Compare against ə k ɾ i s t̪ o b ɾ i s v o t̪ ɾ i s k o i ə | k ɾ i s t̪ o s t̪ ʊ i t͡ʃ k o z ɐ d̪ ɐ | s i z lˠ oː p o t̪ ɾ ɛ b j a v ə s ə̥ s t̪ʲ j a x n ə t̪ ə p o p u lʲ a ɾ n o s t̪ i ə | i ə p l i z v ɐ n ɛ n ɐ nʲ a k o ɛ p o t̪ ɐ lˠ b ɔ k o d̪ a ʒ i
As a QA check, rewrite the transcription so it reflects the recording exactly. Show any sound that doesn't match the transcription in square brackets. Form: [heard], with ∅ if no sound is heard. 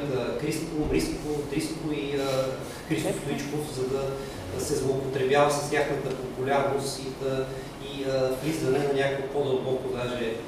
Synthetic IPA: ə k ɾ i s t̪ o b ɾ i s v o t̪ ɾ i s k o i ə | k ɾ i s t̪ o s t̪ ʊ i t͡ʃ k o z ɐ d̪ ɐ | s [ɛ] z lˠ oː p o t̪ ɾ ɛ b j a v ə s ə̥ s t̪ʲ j a x n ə t̪ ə p o p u lʲ a ɾ n o s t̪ i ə | i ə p l i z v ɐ n ɛ n ɐ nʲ a k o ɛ p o [d̪] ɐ lˠ b ɔ k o d̪ a ʒ [ɛ]